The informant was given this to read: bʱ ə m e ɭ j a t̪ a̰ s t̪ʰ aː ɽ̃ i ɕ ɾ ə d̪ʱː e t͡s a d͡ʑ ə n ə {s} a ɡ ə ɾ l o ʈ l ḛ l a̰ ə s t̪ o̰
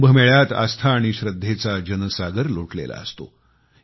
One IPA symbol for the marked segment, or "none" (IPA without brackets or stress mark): s